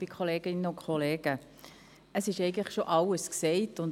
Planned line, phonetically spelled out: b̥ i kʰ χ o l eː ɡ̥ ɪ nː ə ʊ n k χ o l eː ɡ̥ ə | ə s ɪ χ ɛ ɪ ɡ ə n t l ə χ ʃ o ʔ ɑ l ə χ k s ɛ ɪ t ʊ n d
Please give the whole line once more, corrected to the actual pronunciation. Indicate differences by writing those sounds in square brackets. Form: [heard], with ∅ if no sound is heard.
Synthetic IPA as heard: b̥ i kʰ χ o l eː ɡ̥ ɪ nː ə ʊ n k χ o l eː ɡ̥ ə | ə s ɪ [ʃ] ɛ ɪ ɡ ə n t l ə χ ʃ o ʔ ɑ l ə [s] k s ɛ ɪ t ʊ n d